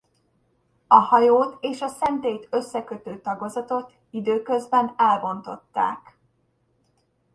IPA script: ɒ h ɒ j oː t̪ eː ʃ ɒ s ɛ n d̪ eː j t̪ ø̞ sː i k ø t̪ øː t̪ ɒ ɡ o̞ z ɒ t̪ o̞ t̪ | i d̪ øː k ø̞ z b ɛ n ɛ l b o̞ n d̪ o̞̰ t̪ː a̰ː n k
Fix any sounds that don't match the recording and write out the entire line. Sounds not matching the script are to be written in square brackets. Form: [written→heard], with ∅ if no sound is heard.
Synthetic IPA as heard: ɒ h ɒ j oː t̪ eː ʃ ɒ s ɛ n [d̪→t̪] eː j t̪ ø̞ sː [i→ɛ] k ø t̪ øː t̪ ɒ ɡ o̞ z ɒ t̪ o̞ t̪ | i d̪ øː k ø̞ z b ɛ n ɛ l b o̞ n [d̪→t̪] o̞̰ t̪ː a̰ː [n→∅] k